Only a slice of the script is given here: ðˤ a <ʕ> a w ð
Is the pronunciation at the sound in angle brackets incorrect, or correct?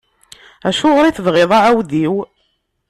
correct